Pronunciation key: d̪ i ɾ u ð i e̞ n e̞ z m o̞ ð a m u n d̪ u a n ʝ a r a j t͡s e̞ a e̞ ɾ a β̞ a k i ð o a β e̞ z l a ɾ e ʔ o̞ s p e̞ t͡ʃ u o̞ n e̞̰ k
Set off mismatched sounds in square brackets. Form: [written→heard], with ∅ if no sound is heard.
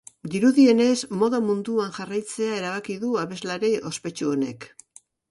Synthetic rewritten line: d̪ i ɾ u ð i e̞ n e̞ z m o̞ ð a m u n d̪ u a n ʝ a r a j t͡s e̞ a e̞ ɾ a β̞ a k i ð [o→u] a β e̞ z l a ɾ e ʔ o̞ s p e̞ t͡ʃ u o̞ n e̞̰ k